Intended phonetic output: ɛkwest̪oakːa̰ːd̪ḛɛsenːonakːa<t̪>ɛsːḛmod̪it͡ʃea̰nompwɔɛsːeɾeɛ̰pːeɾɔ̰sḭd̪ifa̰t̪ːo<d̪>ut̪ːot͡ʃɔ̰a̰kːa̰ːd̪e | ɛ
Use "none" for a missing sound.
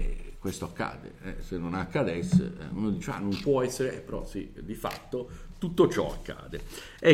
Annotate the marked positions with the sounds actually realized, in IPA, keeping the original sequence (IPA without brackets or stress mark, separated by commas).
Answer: d̪, t̪